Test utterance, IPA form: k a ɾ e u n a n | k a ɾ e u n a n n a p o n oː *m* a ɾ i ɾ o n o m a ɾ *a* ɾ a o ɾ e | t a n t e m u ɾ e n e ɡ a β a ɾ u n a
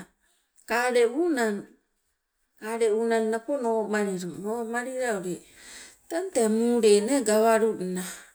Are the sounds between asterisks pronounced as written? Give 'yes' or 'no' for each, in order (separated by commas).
yes, no